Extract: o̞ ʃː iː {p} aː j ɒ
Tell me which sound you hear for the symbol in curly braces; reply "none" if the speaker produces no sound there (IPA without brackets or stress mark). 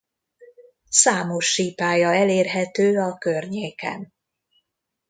p